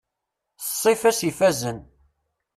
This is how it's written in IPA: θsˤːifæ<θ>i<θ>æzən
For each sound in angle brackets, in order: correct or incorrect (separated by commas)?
incorrect, incorrect